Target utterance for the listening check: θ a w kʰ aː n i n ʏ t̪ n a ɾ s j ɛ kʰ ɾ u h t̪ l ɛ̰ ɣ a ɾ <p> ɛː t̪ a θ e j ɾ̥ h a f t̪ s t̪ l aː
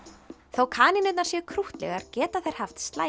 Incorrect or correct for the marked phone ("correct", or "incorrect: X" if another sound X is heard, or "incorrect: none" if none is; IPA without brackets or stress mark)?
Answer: incorrect: c